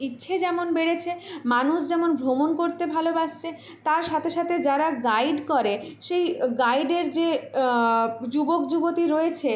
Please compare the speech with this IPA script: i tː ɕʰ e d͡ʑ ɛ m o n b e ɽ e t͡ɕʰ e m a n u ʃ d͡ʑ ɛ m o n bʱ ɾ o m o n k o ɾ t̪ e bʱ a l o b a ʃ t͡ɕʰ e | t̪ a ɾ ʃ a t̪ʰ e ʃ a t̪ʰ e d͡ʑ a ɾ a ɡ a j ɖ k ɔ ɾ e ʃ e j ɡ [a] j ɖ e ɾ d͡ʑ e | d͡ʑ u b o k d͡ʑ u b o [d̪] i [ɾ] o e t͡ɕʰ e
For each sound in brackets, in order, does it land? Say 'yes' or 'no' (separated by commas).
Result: yes, no, yes